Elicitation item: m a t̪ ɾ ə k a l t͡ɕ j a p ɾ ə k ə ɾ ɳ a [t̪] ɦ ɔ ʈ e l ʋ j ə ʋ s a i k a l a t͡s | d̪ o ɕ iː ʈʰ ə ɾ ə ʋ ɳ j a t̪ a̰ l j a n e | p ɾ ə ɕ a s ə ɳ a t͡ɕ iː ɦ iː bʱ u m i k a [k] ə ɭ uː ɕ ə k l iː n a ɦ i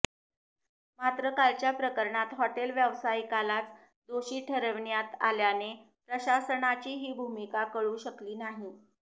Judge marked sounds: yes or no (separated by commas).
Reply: yes, yes